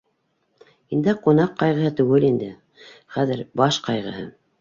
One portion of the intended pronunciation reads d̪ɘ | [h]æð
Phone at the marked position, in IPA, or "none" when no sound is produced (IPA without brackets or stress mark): χ